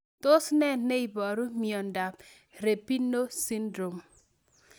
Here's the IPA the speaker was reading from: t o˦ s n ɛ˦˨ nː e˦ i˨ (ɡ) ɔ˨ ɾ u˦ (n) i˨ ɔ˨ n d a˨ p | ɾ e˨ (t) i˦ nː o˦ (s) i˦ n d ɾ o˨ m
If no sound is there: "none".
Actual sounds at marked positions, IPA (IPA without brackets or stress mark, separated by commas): b, m, p, s